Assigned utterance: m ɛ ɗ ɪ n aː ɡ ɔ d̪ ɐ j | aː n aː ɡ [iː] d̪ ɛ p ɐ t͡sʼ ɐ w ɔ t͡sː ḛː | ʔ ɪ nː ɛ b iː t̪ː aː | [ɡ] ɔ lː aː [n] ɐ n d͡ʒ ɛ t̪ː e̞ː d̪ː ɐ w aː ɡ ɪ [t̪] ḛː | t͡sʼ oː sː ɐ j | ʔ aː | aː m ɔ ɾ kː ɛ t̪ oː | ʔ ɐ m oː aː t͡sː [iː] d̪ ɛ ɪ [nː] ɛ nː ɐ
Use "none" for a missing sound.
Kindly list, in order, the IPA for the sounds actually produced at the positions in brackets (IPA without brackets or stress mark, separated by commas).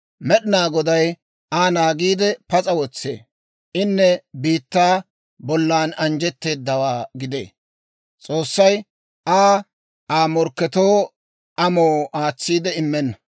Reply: iː, b, n, d̪, iː, mː